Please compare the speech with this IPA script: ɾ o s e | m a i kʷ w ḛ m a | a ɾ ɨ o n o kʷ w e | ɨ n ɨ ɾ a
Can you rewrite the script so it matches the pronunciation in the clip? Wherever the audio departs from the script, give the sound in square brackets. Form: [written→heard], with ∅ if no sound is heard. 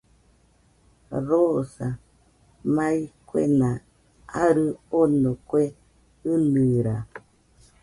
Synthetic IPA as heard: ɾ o s [e→a] | m a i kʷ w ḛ [m→n] a | a ɾ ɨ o n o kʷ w e | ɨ n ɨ ɾ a